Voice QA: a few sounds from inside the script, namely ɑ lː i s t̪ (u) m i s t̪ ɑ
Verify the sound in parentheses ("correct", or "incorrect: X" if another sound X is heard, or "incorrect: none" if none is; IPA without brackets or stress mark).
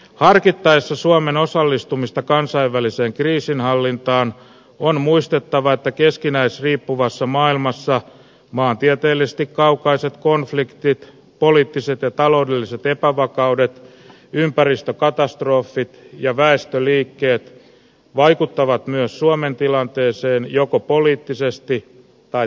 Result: correct